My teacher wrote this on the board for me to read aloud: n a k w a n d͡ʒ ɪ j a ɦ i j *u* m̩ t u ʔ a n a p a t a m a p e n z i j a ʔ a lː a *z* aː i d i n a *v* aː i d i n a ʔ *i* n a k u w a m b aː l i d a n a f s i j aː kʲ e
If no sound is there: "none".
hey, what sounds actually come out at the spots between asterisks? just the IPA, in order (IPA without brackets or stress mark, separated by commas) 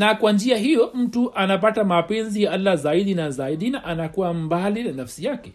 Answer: o, z, z, a